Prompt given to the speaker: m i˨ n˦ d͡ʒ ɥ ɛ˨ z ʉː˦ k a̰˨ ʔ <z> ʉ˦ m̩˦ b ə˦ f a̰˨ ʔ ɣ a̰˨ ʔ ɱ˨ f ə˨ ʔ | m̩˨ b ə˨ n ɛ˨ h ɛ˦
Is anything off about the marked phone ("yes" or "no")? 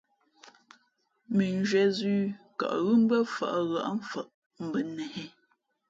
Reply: yes